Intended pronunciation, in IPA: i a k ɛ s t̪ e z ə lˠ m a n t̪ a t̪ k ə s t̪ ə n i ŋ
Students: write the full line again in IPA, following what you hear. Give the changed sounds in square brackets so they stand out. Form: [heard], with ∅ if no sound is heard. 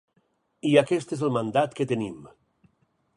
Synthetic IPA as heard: i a k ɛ s t̪ e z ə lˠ m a n [d̪] a t̪ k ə [∅] t̪ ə n i [m]